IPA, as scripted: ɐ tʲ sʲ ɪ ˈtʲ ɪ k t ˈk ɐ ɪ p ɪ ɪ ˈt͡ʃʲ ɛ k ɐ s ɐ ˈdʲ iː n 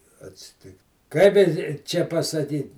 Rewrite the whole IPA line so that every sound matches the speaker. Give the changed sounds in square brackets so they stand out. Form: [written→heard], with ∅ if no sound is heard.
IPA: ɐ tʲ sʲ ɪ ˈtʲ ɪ k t ˈk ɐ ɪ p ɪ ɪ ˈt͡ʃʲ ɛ [k→p] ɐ s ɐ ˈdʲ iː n